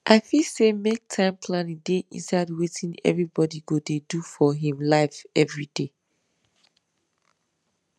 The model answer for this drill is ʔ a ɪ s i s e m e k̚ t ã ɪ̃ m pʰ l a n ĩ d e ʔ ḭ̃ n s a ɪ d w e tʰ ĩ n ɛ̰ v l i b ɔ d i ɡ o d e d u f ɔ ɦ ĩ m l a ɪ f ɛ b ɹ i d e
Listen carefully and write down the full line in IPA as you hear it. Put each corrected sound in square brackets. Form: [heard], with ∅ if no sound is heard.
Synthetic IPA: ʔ a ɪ [f] i s e m e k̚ [tʰ] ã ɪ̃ m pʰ l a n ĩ d e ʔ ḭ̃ n s a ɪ d w e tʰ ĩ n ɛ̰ v [ɹ] i b ɔ d i ɡ o d e d u f ɔ ɦ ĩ m l a ɪ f ɛ [v] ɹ i d e